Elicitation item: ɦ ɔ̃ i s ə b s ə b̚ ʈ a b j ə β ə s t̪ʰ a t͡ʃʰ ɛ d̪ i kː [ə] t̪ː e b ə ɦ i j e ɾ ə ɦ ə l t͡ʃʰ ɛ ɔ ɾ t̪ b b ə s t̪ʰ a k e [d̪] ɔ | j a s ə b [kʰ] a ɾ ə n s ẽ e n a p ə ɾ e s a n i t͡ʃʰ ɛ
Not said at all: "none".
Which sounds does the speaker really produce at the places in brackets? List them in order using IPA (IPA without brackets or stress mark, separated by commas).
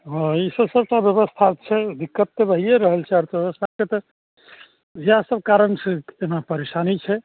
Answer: ə, t̪, k